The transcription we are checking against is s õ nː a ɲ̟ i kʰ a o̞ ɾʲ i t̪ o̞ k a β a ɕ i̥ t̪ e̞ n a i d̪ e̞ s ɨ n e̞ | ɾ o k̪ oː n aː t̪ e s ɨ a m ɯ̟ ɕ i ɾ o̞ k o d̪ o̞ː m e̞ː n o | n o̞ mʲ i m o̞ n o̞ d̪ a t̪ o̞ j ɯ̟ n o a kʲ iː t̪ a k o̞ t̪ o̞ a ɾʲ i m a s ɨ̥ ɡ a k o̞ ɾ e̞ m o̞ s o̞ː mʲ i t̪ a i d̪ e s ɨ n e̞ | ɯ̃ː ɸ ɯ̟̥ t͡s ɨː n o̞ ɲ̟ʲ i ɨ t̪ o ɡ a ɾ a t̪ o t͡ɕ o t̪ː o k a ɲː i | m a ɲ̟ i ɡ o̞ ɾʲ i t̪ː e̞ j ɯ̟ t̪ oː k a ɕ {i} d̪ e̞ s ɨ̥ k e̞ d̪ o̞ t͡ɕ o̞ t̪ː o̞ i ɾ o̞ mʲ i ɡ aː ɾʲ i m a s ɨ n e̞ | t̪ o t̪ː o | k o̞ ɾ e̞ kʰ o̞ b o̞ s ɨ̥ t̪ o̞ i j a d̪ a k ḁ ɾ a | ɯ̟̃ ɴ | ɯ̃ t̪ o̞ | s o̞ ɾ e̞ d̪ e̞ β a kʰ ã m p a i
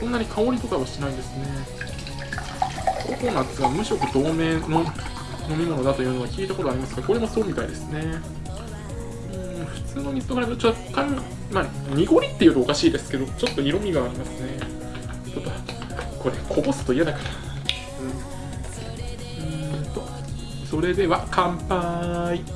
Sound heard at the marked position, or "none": iː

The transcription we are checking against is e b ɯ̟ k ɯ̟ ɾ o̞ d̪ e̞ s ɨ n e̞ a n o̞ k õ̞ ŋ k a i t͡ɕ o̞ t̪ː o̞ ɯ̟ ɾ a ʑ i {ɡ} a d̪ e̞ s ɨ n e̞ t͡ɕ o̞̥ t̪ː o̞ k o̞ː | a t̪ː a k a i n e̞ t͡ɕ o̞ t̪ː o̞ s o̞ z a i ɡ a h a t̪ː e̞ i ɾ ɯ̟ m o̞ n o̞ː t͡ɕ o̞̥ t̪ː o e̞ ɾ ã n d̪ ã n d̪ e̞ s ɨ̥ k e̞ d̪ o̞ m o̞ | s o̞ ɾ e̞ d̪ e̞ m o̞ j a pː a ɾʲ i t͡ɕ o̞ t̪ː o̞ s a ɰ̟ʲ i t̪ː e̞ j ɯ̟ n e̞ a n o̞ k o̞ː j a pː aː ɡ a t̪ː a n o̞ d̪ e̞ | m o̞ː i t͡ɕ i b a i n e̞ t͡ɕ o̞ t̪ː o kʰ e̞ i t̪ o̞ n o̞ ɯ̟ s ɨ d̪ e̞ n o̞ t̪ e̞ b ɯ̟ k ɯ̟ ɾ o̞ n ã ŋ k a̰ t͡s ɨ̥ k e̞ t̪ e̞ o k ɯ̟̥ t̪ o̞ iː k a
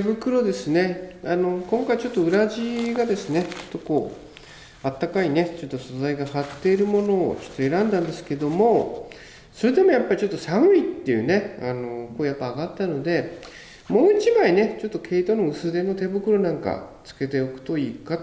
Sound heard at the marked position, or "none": ɡ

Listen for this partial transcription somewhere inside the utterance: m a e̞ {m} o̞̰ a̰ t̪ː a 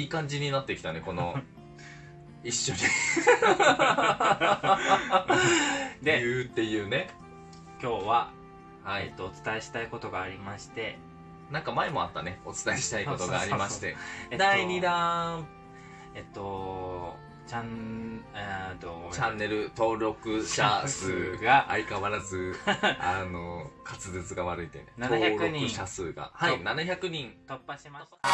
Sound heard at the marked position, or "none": m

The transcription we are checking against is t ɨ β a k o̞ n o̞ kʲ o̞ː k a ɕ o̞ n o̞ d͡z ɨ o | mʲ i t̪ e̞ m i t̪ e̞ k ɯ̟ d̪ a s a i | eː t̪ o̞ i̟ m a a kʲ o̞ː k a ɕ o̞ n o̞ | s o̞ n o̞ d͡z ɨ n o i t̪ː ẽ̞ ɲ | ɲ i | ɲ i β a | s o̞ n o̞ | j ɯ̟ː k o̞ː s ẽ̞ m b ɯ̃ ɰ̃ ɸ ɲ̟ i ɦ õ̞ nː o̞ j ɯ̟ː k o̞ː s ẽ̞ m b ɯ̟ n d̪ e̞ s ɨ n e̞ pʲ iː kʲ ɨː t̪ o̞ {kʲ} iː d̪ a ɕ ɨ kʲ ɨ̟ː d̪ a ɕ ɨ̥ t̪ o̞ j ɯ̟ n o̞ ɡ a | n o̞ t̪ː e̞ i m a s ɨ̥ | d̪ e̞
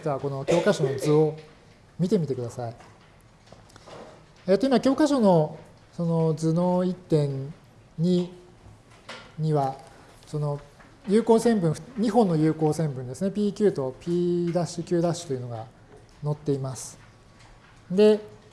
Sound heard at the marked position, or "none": pʲ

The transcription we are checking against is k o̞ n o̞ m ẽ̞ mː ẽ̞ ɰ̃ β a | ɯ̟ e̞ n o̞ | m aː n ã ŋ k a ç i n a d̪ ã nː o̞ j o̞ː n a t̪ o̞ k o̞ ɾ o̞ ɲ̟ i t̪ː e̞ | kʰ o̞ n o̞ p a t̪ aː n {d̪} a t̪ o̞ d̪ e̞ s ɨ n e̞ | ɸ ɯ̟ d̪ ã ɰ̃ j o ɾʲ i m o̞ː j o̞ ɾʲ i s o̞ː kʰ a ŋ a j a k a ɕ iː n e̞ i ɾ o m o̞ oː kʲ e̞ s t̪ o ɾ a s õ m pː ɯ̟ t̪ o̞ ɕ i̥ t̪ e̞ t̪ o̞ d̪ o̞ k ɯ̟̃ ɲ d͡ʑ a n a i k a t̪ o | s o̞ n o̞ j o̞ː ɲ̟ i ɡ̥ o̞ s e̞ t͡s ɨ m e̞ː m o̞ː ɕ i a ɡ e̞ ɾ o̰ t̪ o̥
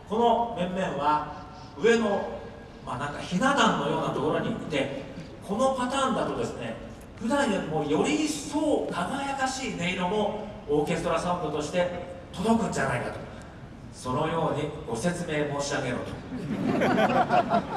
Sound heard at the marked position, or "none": d̪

